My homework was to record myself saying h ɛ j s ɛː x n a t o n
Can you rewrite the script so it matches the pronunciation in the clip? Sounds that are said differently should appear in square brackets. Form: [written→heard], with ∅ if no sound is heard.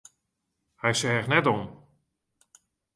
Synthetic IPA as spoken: h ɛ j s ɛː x n [a→ɛ] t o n